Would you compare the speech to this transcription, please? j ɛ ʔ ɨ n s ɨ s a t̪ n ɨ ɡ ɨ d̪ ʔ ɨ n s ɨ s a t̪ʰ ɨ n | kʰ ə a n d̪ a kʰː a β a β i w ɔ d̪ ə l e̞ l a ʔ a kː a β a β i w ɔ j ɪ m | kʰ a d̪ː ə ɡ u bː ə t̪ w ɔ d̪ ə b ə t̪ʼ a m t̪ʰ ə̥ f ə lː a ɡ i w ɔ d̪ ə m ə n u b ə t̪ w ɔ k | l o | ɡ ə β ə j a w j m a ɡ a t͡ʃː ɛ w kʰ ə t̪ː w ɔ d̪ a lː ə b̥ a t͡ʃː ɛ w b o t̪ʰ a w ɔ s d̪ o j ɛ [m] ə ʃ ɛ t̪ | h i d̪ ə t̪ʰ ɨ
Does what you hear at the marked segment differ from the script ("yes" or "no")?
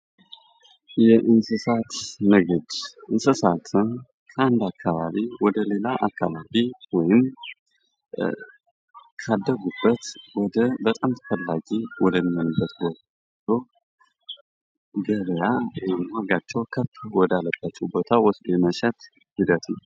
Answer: no